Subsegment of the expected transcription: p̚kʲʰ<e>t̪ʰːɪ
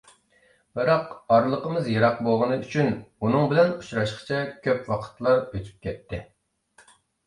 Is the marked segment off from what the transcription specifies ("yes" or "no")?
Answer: yes